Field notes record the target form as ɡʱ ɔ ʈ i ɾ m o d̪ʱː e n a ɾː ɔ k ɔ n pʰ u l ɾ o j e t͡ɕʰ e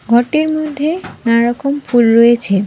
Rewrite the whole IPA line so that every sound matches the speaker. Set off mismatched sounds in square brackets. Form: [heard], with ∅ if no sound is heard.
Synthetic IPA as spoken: ɡʱ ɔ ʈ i ɾ m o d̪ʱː e n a [ɾ] ɔ k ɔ [m] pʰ u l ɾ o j e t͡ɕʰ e